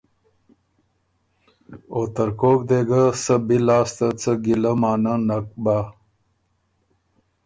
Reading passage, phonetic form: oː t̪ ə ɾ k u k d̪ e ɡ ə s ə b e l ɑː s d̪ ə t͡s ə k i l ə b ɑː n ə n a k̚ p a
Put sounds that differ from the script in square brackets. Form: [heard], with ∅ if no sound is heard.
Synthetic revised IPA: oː t̪ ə ɾ k [o] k d̪ e ɡ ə s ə b [i] l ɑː s [t̪] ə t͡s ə [ɡ] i l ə [m] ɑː n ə n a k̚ [b] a